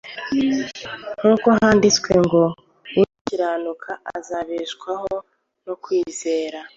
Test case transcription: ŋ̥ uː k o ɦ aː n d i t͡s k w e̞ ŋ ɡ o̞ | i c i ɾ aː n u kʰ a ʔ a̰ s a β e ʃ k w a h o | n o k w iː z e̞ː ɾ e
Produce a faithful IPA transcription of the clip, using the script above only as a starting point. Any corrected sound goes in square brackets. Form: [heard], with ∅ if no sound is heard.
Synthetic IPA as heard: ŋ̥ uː k o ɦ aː n d i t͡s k w e̞ ŋ ɡ o̞ | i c i ɾ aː n u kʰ a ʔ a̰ [z] a β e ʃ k w a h o | n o k w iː z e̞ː ɾ [a]